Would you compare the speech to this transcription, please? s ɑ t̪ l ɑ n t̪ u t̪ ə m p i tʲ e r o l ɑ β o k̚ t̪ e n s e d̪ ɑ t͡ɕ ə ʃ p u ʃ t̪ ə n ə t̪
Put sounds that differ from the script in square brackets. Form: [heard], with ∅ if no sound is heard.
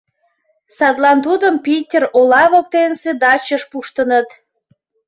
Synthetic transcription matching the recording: s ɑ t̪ l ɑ n t̪ u [d̪] ə m p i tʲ e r o l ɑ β o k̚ t̪ e n s e d̪ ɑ t͡ɕ ə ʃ p u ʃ t̪ ə n ə t̪